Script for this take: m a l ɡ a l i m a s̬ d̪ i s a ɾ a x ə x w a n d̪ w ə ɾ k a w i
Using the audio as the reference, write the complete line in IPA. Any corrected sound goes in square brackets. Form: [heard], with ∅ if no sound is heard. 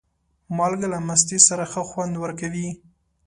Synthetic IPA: m [ɑ] l ɡ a l [a] m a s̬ [t̪] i s a ɾ a x ə x w a n d̪ w ə ɾ k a w i